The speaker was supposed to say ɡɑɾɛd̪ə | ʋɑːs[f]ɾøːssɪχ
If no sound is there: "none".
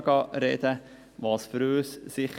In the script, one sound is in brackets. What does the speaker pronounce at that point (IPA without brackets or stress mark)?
f